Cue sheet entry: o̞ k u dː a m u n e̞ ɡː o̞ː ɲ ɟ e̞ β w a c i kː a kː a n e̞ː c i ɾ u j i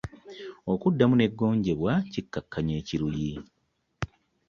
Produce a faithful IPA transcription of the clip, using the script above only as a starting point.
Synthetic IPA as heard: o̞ k u dː a m u n e̞ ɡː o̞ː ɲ ɟ e̞ β w a c i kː a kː a ɲ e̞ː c i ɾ u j i

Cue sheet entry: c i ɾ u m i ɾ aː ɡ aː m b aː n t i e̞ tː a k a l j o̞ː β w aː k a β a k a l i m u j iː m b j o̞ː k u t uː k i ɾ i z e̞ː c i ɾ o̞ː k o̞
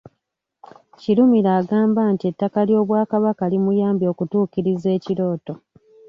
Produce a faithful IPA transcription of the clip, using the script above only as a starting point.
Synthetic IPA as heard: c i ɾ u m i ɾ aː ɡ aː m b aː n t i e̞ tː a k a l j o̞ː β w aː k a β a k a l i m u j aː m b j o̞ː k u t uː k i ɾ i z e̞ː c i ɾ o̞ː t o̞

